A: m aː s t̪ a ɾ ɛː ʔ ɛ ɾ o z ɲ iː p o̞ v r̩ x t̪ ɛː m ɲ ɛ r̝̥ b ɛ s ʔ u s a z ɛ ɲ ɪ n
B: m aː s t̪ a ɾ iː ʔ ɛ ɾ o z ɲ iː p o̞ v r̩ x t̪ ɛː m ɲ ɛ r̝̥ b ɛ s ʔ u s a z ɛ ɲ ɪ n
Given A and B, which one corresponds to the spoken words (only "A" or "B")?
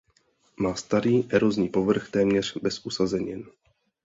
B